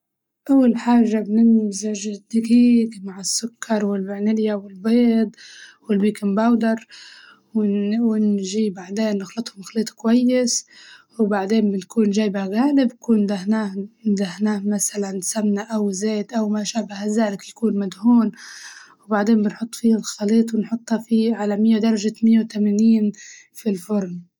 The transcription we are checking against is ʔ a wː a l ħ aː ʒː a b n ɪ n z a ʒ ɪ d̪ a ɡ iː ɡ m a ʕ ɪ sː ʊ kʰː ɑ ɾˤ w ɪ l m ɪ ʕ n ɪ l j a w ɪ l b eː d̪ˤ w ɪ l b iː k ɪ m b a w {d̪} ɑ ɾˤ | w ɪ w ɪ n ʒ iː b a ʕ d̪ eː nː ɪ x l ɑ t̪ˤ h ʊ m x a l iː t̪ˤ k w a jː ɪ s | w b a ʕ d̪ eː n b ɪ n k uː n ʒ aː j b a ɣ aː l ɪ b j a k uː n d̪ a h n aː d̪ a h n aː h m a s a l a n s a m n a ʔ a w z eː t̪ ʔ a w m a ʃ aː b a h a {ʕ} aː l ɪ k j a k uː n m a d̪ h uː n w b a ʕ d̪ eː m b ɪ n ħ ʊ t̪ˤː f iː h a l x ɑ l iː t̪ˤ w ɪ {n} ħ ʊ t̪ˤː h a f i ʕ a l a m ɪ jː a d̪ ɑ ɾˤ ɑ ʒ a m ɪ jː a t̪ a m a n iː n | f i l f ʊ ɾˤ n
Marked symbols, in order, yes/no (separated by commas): yes, no, yes